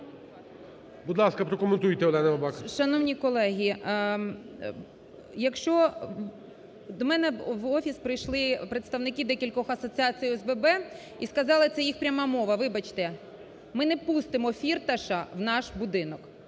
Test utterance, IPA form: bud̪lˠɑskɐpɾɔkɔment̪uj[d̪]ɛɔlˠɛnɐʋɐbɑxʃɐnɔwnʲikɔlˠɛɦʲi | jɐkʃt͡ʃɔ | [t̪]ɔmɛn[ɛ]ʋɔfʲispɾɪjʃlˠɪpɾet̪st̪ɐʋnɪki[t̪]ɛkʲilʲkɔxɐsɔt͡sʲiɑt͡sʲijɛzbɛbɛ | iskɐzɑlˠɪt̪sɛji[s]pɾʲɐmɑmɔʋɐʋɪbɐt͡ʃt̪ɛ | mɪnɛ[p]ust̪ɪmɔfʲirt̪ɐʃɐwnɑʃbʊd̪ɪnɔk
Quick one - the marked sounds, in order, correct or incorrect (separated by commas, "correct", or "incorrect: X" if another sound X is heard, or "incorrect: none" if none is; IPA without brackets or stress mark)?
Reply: incorrect: t̪, incorrect: d̪, correct, incorrect: d̪, incorrect: x, correct